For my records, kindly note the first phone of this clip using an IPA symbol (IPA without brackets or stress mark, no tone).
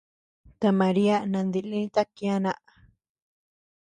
t̪